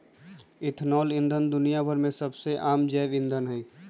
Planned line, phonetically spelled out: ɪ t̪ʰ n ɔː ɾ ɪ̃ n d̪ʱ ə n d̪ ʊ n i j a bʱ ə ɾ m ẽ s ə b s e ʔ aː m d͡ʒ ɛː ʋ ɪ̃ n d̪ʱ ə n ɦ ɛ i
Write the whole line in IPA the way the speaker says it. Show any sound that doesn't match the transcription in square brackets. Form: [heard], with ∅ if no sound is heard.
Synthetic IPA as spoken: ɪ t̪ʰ n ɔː [l] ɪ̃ n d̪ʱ ə n d̪ ʊ n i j a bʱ ə ɾ m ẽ s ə b s e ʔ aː m d͡ʒ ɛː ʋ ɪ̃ n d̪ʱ ə n ɦ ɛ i